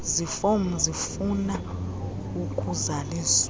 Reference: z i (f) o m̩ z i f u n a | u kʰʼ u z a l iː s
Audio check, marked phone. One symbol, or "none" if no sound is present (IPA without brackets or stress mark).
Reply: f